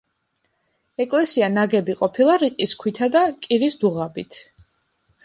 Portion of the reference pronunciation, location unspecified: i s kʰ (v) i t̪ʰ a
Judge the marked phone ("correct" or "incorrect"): incorrect